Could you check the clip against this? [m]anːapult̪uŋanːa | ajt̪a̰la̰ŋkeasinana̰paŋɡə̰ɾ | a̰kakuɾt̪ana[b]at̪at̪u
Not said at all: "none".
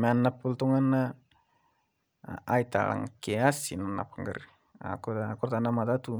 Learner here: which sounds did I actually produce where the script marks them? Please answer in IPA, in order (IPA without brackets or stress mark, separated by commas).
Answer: m, m